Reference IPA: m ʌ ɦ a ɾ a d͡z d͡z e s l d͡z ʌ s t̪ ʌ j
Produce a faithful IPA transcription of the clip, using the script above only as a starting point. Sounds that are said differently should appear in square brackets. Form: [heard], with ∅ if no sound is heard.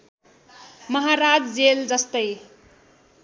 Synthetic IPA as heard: m ʌ ɦ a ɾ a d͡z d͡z e [∅] l d͡z ʌ s t̪ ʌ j

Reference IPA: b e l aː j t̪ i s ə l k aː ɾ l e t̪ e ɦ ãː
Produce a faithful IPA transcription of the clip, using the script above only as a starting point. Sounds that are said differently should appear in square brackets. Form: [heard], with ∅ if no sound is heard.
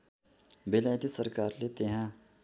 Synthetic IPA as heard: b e l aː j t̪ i s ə [ɾ] k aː ɾ l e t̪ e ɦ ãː

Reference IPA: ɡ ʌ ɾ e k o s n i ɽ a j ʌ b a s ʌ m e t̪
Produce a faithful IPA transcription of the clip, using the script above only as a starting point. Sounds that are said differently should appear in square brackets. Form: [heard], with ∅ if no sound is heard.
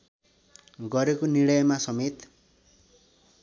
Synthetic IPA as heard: ɡ ʌ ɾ e k o [∅] n i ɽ [ʌ] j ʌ [m] a s ʌ m e t̪

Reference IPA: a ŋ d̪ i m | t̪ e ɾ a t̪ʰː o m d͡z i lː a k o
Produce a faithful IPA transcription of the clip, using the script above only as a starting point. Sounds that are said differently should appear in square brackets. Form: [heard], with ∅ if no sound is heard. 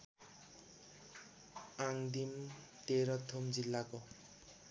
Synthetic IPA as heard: a ŋ d̪ i m | t̪ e ɾ [ʌ] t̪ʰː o m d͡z i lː a k o

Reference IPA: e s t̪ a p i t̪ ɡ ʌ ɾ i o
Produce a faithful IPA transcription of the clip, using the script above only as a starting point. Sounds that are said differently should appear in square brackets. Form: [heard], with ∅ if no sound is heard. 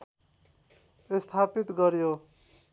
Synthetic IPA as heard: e s [t̪ʰ] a p i t̪ ɡ ʌ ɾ [j] o

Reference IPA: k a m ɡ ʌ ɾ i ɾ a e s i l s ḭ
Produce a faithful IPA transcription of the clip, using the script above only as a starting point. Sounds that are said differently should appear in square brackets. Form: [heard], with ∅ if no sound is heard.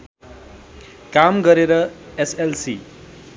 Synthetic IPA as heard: k a m ɡ ʌ ɾ [e] ɾ [ʌ] e s [e] l s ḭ

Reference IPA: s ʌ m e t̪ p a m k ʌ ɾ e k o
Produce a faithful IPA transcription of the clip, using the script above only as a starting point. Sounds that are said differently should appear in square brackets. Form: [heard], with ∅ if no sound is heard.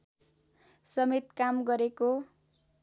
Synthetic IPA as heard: s ʌ m e t̪ [k] a m [ɡ] ʌ ɾ e k o

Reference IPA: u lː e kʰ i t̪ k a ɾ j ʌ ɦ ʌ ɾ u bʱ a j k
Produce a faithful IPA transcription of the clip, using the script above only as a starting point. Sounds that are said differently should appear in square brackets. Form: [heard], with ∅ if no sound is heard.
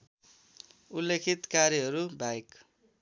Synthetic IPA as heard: u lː e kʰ i t̪ k a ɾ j ʌ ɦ ʌ ɾ u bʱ a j k

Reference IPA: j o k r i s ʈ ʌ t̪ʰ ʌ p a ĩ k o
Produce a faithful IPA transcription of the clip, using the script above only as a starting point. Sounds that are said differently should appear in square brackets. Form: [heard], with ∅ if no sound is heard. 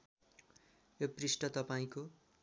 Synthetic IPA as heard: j o [p] r i s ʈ ʌ [t̪] ʌ p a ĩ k o

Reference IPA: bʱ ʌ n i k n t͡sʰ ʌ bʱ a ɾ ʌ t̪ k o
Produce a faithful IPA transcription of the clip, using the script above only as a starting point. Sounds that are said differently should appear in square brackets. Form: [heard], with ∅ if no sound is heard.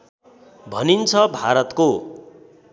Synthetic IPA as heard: bʱ ʌ n i [∅] n t͡sʰ ʌ bʱ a ɾ ʌ t̪ k o

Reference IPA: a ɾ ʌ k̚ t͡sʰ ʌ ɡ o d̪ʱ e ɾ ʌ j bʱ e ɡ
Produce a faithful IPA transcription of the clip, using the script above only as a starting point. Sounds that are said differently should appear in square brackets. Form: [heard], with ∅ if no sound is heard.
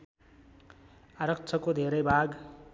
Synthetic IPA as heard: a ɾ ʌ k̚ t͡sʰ ʌ [k] o d̪ʱ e ɾ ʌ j bʱ [a] ɡ

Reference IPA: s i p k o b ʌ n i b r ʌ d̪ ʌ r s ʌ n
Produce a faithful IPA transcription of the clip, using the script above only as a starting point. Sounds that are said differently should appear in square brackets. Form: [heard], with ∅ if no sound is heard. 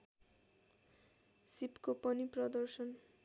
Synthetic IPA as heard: s i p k o [p] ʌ n i [p] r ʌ d̪ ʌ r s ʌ n

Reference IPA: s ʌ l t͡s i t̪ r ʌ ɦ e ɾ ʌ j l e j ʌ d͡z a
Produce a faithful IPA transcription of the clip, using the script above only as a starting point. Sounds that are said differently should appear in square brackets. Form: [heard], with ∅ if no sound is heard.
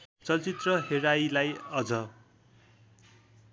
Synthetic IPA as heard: [t͡s] ʌ l t͡s i t̪ r ʌ ɦ e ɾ [a] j l [a] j ʌ d͡z [ʌ]

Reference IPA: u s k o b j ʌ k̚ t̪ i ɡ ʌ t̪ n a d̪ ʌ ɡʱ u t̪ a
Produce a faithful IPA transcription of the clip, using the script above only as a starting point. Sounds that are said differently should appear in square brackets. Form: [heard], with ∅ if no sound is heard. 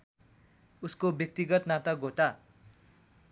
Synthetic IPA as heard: u s k o b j ʌ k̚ t̪ i ɡ ʌ t̪ n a [t̪] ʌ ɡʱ [o] t̪ a

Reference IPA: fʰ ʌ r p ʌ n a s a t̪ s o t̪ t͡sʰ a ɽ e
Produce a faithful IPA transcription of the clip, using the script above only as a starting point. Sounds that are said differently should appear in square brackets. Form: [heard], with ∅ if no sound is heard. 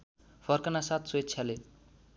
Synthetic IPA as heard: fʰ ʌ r [k] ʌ n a s a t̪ s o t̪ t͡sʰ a [l] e

